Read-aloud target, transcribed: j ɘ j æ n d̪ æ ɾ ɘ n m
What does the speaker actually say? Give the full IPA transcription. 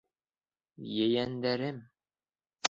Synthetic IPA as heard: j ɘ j æ n d̪ æ ɾ ɘ m